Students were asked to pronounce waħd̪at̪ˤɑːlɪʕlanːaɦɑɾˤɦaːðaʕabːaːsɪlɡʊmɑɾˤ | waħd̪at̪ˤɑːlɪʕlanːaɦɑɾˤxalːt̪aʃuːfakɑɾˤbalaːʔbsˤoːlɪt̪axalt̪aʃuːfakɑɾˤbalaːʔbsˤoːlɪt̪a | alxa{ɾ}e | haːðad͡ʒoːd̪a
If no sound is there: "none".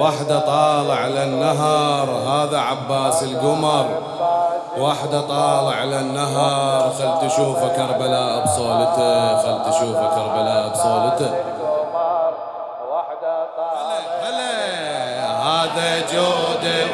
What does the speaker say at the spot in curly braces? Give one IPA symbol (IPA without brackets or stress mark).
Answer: l